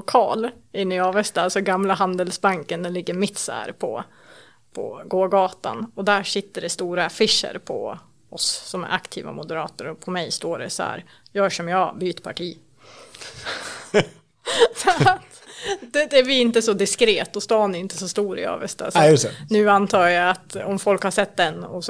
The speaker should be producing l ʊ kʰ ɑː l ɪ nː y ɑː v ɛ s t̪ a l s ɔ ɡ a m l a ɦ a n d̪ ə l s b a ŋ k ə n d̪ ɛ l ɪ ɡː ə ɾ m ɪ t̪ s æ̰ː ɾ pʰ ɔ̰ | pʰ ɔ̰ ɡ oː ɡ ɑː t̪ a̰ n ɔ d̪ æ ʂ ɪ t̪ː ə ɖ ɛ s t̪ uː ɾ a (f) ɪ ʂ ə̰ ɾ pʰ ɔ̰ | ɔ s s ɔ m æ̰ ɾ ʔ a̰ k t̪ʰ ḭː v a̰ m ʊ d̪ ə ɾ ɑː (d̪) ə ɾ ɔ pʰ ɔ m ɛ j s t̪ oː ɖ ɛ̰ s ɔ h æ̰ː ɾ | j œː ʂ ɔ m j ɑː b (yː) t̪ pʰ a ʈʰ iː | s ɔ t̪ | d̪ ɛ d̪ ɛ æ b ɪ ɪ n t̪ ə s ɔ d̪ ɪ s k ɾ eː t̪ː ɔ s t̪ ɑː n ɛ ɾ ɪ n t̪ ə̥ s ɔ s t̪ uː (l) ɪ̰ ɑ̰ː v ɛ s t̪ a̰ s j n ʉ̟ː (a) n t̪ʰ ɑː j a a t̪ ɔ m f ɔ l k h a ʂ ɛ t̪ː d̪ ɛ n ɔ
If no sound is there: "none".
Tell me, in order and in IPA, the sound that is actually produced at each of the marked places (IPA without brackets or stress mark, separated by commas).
f, t̪, yː, ɾ, a